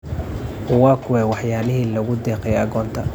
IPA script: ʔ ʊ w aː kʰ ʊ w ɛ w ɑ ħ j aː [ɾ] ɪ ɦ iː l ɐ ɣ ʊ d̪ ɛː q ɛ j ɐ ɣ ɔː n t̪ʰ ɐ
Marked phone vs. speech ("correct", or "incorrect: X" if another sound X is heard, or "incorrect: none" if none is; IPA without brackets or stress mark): incorrect: l